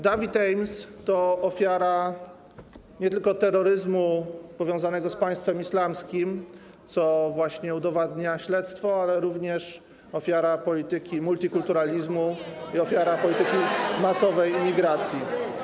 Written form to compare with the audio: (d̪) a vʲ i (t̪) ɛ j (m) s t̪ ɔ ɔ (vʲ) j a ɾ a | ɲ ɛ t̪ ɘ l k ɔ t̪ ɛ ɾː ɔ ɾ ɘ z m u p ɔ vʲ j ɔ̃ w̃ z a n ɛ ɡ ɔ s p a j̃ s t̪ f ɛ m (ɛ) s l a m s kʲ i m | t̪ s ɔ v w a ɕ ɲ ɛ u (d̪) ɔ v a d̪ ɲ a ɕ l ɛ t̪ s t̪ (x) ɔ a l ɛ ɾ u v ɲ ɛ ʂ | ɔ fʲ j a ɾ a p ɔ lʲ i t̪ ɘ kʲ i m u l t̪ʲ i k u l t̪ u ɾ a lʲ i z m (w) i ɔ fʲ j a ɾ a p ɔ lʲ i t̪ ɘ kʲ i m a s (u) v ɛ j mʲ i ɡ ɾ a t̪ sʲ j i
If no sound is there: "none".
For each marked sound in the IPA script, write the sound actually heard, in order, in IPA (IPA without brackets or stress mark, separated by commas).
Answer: d̪, t̪, m, fʲ, i, d̪, f, u, ɔ